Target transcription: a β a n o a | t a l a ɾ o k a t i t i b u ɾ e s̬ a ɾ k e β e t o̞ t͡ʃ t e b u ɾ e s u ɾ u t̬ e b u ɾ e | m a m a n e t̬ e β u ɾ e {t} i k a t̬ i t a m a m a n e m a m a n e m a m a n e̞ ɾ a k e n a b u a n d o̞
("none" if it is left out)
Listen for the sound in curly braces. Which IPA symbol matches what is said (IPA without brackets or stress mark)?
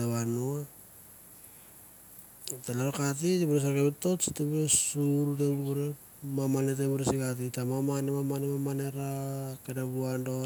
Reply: s